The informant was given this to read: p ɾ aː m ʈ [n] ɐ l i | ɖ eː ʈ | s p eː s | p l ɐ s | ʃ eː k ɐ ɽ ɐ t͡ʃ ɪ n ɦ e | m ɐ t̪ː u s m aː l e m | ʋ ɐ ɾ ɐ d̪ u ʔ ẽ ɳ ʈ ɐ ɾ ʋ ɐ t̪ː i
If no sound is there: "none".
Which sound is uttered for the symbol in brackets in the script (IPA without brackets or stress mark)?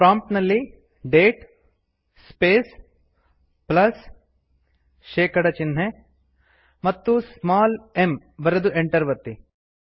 n